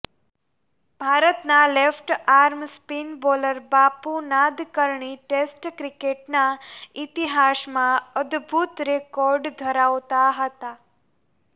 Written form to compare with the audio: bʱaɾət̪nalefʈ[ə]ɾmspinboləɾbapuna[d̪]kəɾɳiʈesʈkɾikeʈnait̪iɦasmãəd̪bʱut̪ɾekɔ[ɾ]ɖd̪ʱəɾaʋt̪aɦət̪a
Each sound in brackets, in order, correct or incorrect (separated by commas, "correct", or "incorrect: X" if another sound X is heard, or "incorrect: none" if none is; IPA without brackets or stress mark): incorrect: a, correct, correct